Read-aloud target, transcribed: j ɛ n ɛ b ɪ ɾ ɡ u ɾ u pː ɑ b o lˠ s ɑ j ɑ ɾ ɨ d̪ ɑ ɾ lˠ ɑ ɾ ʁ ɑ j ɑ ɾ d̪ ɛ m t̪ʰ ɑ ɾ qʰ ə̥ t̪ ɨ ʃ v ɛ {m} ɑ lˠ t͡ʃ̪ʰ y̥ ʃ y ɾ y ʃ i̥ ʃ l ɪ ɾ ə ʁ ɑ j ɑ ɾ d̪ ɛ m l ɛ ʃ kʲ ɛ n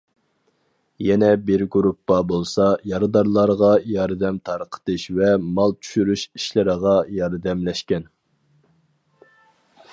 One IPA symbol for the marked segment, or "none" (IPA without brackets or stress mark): m